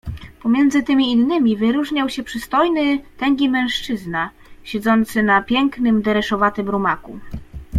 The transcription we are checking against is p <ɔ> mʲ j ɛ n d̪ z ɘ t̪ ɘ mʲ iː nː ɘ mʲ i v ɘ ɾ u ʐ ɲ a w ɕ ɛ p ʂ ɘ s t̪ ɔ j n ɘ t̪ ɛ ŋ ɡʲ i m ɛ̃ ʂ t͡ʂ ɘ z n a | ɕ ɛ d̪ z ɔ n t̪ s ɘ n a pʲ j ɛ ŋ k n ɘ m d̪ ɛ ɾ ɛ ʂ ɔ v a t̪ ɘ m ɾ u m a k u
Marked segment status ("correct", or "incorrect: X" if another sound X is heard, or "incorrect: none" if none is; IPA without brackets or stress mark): correct